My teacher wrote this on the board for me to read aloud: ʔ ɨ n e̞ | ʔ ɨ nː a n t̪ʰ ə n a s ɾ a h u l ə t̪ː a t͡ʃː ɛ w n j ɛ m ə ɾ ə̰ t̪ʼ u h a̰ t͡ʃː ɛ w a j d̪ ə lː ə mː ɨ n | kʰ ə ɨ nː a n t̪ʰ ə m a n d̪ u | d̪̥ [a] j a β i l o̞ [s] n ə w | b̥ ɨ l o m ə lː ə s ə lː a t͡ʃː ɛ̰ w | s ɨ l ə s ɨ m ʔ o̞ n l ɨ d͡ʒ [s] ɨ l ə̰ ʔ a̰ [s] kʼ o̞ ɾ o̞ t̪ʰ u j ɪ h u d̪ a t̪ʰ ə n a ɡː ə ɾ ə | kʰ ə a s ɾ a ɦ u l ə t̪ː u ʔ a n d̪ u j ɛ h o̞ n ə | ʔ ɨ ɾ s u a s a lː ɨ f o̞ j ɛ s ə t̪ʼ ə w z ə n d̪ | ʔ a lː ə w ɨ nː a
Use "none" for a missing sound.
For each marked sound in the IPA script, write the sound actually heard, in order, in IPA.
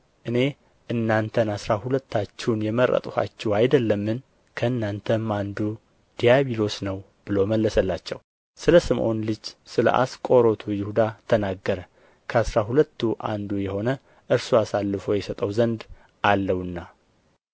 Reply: i, s, s, s

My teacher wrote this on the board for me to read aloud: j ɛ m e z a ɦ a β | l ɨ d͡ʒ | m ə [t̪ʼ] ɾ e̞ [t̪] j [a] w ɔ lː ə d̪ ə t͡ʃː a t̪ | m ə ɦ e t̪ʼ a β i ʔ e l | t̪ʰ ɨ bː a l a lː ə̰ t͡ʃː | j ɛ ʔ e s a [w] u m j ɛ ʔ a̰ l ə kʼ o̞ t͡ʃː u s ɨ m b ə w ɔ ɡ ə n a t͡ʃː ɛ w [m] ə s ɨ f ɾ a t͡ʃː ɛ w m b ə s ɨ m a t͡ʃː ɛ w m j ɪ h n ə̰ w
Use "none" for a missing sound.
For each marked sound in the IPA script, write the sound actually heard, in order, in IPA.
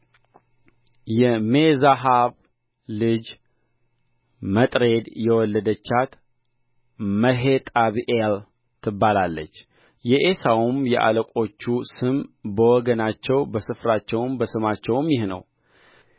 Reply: t̪ʼ, d̪, ɛ, w, b

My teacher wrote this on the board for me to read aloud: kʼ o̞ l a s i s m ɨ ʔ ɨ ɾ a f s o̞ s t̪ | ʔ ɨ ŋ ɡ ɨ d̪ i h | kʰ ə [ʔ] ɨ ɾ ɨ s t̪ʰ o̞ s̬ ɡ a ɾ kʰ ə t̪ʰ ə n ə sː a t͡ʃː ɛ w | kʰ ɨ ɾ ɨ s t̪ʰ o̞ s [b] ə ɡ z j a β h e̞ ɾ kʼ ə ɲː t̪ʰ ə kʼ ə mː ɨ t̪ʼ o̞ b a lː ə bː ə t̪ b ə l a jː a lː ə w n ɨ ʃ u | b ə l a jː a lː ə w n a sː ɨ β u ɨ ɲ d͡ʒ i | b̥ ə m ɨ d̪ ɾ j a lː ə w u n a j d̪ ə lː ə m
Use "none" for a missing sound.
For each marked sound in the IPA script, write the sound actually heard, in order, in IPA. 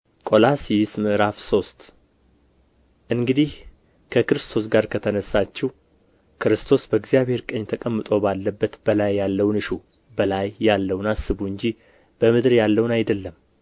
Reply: k, b

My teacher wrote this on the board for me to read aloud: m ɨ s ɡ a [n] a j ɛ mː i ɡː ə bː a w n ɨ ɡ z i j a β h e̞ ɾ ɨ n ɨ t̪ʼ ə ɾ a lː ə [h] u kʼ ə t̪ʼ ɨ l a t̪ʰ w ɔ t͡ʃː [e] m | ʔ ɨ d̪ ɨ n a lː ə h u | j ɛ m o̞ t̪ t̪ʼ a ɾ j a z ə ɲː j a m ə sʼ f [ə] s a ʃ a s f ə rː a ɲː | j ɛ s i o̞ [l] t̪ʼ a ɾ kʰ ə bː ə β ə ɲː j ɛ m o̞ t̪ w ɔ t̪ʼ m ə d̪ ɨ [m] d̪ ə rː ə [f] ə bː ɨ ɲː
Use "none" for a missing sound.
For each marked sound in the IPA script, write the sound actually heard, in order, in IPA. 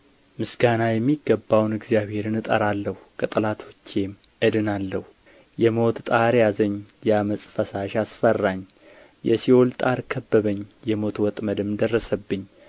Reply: n, h, e, ə, l, m, s

